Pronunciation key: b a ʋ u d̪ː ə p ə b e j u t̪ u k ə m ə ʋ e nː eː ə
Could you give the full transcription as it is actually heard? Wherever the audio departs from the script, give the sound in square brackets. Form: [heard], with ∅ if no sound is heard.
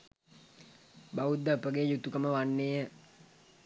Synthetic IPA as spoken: b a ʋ u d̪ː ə p ə [ɡ] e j u t̪ u k ə m ə ʋ [a] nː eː ə